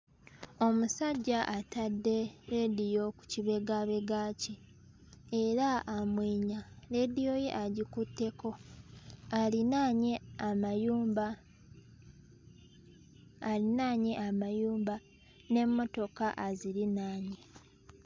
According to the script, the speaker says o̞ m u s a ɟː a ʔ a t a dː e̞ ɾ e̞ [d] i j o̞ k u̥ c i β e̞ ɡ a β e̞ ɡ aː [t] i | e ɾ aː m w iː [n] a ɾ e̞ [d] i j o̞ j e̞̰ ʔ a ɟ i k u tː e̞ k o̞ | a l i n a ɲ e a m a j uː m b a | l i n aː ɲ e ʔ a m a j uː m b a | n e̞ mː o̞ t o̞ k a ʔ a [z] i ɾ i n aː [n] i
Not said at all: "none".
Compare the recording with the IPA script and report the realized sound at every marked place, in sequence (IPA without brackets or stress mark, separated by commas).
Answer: d, c, ɲ, d, z, ɲ